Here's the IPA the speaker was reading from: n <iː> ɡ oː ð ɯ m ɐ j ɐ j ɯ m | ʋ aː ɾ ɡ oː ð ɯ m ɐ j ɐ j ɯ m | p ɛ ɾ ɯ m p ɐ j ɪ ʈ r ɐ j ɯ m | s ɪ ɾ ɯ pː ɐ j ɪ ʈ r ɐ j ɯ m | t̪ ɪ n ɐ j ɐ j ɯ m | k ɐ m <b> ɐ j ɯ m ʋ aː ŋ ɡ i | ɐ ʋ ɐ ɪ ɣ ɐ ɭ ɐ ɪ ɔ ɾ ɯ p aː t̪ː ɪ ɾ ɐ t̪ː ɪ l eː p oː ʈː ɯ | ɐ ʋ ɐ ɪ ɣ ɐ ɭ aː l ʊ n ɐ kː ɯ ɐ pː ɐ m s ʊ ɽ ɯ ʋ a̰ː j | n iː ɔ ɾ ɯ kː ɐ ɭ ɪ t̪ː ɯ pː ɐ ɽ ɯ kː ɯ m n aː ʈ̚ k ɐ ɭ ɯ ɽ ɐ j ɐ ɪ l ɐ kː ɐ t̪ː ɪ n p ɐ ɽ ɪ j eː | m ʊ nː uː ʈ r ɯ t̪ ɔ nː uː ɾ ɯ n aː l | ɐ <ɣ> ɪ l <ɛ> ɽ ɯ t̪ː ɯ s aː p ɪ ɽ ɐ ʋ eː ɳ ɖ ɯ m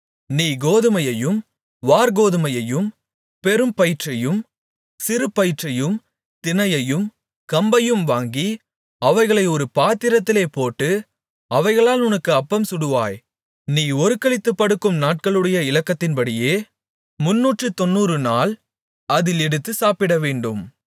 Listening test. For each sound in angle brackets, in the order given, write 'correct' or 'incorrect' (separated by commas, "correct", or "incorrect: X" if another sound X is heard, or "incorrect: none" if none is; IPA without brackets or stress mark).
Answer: correct, correct, incorrect: ð, correct